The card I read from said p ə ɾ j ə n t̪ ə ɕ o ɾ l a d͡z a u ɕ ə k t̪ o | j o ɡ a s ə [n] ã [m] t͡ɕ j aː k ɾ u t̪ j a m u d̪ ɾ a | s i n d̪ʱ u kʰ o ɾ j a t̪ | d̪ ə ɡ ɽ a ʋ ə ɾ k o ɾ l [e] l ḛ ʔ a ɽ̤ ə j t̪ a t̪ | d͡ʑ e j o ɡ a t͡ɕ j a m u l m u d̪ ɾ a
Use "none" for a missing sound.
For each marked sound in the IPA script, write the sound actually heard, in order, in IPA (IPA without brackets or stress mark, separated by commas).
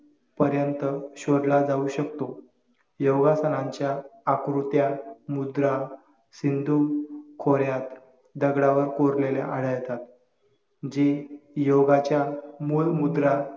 n, ɲ, e